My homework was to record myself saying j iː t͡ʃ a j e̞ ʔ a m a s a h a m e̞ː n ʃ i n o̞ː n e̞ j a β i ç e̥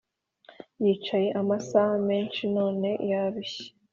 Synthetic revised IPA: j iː t͡ʃ a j e̞ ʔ a m a s a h a m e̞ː n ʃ i n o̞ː n e̞ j a β i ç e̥

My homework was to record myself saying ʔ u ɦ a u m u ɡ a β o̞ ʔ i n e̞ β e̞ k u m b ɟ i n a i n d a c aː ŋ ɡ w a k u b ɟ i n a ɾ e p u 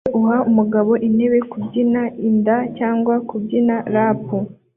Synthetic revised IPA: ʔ u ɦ a u m u ɡ a β o̞ ʔ i n e̞ β e̞ k u b ɟ i n a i n d a c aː ŋ ɡ w a k u b ɟ i n a ɾ a p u

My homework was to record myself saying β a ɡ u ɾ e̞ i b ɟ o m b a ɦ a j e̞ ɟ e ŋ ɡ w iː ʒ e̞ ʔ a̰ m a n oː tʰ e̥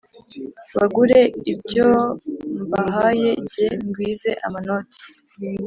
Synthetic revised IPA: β a ɡ u ɾ e̞ i b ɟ o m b a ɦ a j e̞ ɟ e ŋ ɡ w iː z e̞ ʔ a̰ m a n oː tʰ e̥

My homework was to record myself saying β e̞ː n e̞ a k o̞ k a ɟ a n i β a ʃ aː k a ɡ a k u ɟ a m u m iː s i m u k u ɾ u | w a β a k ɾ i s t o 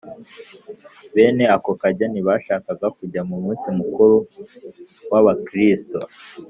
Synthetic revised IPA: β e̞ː n e̞ a k o̞ k a ɟ a n i β a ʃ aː k a ɡ a k u ɟ a m u m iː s i m u k u ɾ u | w a β a k ɾ i s t o

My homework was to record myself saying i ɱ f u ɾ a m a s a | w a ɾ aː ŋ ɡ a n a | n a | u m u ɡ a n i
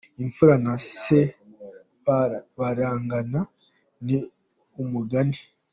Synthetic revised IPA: i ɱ f u ɾ a n a s e | β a ɾ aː ŋ ɡ a n a | n i | u m u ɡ a n i

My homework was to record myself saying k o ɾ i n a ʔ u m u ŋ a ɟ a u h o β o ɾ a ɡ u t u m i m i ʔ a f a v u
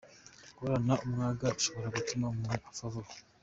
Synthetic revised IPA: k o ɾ a n a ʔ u m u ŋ a ɡ a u ʃ o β o ɾ a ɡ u t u m a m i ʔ a f a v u

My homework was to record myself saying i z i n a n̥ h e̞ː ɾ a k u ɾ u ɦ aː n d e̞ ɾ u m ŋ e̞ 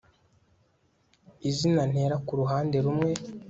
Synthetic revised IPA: i z i n a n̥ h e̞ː ɾ a k u ɾ u ɦ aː n d e̞ ɾ u m ŋ e̞

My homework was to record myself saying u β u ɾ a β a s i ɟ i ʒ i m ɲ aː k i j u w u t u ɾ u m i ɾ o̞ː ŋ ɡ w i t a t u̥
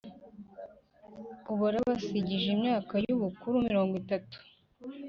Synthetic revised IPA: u β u ɾ a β a s i ɟ i ʒ i m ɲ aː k a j u β u k u ɾ u m i ɾ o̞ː ŋ ɡ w i t a t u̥

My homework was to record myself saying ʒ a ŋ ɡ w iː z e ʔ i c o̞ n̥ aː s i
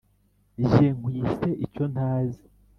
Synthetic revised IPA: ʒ e ŋ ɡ w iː s e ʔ i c o̞ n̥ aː z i

